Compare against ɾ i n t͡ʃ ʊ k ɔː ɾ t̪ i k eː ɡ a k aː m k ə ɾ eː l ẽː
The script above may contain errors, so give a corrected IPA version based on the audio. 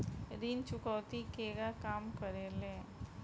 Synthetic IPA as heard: ɾ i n t͡ʃ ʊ k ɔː t̪ i k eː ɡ a k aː m k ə ɾ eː l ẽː

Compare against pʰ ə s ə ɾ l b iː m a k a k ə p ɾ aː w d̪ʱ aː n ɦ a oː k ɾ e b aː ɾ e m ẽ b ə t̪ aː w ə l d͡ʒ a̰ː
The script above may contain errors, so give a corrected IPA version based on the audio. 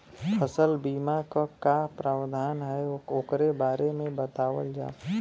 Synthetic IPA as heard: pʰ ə s ə l b iː m a k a k a p ɾ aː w d̪ʱ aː n ɦ ɛ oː k ɾ e b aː ɾ e m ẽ b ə t̪ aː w ə l d͡ʒ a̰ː

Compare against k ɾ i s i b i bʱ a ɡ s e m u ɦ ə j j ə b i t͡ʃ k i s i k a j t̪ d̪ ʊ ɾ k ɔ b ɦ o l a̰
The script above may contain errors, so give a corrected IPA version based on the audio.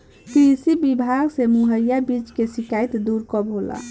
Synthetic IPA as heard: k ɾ i s i b i bʱ a ɡ s e m u ɦ ə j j a b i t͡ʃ k e s i k a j t̪ d̪ u ɾ k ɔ b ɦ o l a̰

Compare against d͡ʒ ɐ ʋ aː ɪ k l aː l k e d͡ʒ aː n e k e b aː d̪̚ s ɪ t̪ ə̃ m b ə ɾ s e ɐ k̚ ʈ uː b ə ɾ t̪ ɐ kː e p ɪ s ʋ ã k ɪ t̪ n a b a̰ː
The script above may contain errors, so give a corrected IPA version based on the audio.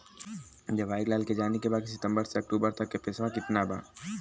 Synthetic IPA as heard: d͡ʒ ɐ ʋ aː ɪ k l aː l k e d͡ʒ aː n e k e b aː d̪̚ s ɪ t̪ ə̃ m b ə ɾ s e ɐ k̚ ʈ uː b ə ɾ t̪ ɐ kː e p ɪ s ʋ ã k ɪ t̪ n a b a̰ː

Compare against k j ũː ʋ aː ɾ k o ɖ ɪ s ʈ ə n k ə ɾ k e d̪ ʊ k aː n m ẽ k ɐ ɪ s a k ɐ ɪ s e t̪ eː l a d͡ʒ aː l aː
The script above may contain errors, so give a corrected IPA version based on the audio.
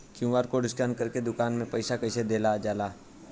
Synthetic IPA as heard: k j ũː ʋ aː ɾ k o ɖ ɪ s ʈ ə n k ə ɾ k e d̪ ʊ k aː n m ẽ p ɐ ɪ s a k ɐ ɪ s e d̪ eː l a d͡ʒ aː l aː

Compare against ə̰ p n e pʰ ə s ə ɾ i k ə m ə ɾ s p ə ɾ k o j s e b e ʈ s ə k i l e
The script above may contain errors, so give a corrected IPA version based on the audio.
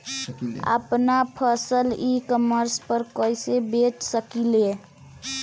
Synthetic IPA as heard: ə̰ p n a pʰ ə s ə l i k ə m ə ɾ s p ə ɾ k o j s e b e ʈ s ə k i l e

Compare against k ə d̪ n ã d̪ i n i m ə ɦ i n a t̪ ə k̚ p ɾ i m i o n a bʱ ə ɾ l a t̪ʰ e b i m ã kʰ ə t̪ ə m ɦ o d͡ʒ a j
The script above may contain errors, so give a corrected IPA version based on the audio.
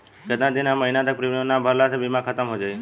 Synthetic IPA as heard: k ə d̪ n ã d̪ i n a m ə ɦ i n a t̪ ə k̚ p ɾ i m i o n a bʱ ə ɾ l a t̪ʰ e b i m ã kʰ ə t̪ ə m ɦ o d͡ʒ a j

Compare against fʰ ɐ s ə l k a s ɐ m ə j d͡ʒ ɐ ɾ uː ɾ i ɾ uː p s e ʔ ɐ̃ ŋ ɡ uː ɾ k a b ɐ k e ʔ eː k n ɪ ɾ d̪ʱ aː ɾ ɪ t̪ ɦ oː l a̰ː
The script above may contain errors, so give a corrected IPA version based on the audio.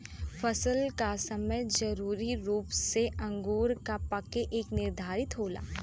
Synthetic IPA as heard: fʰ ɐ s ə l k a s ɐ m ə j d͡ʒ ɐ ɾ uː ɾ i ɾ uː p s e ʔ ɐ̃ ŋ ɡ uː ɾ k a p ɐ k e ʔ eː k n ɪ ɾ d̪ʱ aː ɾ ɪ t̪ ɦ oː l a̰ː

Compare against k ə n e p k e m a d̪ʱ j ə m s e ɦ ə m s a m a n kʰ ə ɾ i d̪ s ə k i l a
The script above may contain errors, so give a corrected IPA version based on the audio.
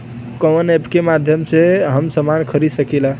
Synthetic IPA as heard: k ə n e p k e m a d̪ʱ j ə m s e ɦ ə m s ə m a n kʰ ə ɾ i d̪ s ə k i l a

